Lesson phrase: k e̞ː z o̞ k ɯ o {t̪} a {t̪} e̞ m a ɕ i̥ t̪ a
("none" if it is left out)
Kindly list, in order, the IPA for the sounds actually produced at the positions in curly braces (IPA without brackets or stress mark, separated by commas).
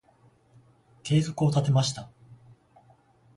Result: t̪, t̪